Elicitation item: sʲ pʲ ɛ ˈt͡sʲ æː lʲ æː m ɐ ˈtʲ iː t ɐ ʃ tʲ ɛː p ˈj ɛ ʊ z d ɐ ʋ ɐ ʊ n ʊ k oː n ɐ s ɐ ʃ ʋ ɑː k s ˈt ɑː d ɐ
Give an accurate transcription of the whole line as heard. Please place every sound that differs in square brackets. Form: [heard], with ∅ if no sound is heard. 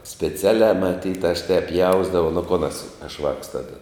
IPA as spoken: sʲ pʲ ɛ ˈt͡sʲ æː lʲ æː m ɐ ˈtʲ iː t ɐ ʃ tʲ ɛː p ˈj ɛ ʊ z d ɐ ʋ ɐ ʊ n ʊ k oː n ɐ s ɐ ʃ ʋ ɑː k s ˈt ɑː d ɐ

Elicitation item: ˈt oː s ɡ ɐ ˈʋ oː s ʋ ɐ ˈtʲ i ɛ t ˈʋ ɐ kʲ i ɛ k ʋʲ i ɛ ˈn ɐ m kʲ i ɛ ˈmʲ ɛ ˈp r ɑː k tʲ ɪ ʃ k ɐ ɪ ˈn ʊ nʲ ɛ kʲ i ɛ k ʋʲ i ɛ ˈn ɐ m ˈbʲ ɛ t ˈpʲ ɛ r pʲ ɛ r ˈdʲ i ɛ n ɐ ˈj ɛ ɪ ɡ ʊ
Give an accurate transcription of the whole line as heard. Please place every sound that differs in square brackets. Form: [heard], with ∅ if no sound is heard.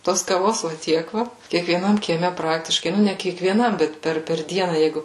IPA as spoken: ˈt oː s [k] ɐ ˈʋ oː s ʋ ɐ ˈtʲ i ɛ [k] ˈʋ ɐ kʲ i ɛ k ʋʲ i ɛ ˈn ɐ m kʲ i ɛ ˈmʲ ɛ ˈp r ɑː k tʲ ɪ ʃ k ɐ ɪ ˈn ʊ nʲ ɛ kʲ i ɛ k ʋʲ i ɛ ˈn ɐ m ˈbʲ ɛ t ˈpʲ ɛ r pʲ ɛ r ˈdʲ i ɛ n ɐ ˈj ɛ ɪ ɡ ʊ

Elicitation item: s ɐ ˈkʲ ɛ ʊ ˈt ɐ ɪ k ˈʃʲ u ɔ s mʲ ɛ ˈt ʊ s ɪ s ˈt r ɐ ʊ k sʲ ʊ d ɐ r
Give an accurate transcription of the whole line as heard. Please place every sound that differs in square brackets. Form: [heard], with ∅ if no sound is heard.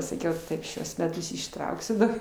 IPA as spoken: s ɐ ˈkʲ ɛ ʊ ˈt ɐ ɪ [p] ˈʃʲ u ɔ s mʲ ɛ ˈt ʊ s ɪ [ʃ] ˈt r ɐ ʊ k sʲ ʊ d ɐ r

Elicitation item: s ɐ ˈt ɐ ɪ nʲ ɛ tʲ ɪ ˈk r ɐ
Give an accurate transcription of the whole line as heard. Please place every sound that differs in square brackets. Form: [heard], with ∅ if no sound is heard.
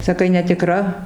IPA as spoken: s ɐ [ˈk] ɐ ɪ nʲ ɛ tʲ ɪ ˈk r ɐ

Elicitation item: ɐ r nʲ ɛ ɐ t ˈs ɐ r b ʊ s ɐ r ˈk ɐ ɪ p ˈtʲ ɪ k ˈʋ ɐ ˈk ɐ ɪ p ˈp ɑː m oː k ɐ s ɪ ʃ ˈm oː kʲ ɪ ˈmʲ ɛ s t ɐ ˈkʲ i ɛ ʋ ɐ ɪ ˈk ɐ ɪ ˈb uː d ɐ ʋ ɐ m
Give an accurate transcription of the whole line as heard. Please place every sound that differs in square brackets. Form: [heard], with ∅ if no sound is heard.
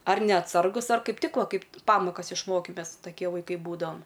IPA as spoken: ɐ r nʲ ɛ ɐ t ˈs ɐ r [ɡ] ʊ s ɐ r ˈk ɐ ɪ p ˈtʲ ɪ k ˈʋ ɐ ˈk ɐ ɪ p ˈp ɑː m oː k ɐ s ɪ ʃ ˈm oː kʲ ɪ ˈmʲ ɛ s t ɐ ˈkʲ i ɛ ʋ ɐ ɪ ˈk ɐ ɪ ˈb uː d ɐ ʋ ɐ m

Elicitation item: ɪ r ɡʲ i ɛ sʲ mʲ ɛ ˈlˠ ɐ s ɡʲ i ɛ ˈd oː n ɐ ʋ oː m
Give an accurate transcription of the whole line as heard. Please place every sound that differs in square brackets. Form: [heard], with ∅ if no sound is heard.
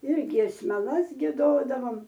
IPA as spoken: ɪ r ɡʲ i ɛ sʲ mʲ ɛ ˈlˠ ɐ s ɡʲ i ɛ ˈd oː [d] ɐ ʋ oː m

